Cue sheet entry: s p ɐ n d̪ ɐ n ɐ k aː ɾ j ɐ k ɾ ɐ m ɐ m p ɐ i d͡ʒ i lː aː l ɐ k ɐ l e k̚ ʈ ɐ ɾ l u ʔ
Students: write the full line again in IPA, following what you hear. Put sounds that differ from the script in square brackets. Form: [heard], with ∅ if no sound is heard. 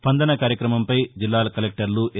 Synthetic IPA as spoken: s p ɐ n d̪ ɐ n ɐ k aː ɾ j ɐ k ɾ ɐ m ɐ m p ɐ [j] d͡ʒ i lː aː l ɐ k ɐ l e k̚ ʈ ɐ ɾ l u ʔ